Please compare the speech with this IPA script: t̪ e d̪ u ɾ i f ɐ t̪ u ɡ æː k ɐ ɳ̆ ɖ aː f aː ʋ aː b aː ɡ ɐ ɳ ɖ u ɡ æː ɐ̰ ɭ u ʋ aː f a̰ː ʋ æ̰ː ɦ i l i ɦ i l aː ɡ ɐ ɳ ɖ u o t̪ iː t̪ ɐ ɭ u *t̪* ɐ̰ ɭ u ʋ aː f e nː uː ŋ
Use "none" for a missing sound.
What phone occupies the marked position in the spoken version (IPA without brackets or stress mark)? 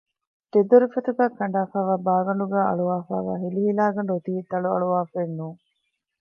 none